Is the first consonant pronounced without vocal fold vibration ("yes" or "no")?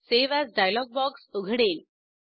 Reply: yes